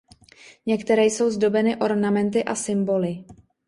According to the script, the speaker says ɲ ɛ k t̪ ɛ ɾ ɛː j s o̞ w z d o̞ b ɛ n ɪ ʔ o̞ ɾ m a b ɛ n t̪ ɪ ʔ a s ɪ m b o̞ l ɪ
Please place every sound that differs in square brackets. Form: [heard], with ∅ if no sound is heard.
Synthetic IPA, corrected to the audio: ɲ ɛ k t̪ ɛ ɾ ɛː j s o̞ w z d o̞ b ɛ n ɪ ʔ o̞ ɾ [n] a [m] ɛ n t̪ ɪ ʔ a s ɪ m b o̞ l ɪ